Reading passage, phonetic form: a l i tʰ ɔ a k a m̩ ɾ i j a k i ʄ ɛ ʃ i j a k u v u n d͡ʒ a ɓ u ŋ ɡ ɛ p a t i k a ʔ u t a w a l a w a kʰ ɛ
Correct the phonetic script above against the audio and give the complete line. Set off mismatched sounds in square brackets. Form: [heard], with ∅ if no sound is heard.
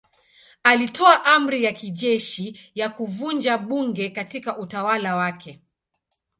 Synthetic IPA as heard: a l i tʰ ɔ a [ʔ] a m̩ ɾ i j a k i ʄ ɛ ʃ i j a k u v u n d͡ʒ a ɓ u ŋ ɡ ɛ [k] a t i k a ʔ u t a w a l a w a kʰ ɛ